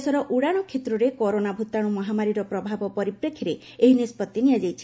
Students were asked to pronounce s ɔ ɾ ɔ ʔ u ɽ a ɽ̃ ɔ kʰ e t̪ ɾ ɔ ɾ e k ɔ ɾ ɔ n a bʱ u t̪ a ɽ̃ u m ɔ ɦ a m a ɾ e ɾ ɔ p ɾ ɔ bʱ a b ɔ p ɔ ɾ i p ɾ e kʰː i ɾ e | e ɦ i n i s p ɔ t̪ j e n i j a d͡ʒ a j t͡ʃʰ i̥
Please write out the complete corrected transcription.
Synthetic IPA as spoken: s ɔ ɾ ɔ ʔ u ɽ a ɽ̃ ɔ kʰ e t̪ ɾ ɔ ɾ e k ɔ ɾ o n a bʱ u t̪ a ɽ̃ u m ɔ ɦ a m a ɾ i ɾ ɔ p ɾ ɔ bʱ a b ɔ p ɔ ɾ i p ɾ e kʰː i ɾ e | e ɦ i n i s p ɔ t̪ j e n i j a d͡ʒ a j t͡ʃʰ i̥